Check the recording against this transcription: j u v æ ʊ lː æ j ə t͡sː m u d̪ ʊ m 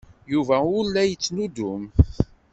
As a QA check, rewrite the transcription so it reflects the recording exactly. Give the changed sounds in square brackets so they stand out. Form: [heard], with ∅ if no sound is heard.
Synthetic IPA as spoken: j u v æ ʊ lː æ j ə t͡sː [n] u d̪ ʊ m